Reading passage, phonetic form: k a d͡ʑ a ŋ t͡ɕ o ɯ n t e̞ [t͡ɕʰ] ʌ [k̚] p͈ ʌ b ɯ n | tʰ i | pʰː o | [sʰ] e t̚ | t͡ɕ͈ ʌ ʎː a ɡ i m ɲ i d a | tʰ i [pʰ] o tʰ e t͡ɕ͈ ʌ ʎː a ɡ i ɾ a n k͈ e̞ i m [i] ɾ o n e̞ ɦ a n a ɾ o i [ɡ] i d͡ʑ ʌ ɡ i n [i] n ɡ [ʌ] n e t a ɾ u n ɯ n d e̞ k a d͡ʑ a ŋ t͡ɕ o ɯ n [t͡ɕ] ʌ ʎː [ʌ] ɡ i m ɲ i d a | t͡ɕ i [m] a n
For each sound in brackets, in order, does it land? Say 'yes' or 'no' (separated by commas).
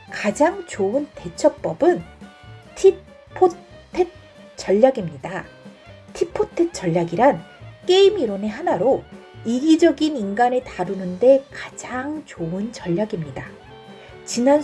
yes, yes, no, yes, yes, yes, yes, no, yes, no, no